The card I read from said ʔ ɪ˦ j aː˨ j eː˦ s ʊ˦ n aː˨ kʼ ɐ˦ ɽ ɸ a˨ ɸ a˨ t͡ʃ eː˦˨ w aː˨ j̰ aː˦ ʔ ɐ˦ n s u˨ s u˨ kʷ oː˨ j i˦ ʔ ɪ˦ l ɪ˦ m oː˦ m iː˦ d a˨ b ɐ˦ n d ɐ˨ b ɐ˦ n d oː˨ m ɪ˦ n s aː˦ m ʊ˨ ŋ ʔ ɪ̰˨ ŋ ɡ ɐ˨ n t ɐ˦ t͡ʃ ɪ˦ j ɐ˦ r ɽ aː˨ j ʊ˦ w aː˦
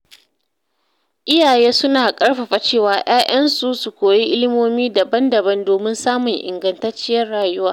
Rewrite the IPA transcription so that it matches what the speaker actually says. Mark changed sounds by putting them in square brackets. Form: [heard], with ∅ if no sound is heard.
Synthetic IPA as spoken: ʔ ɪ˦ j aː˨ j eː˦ s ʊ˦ n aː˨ kʼ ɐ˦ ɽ ɸ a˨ ɸ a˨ t͡ʃ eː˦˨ w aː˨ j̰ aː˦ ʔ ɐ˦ n s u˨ s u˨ kʷ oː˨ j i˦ ʔ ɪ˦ l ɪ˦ m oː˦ m iː˦ d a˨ b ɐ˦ n d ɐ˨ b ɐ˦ n d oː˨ m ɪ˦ n s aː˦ m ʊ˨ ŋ ʔ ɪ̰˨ ŋ ɡ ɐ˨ n t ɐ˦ t͡ʃ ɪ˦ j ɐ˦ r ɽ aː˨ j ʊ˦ w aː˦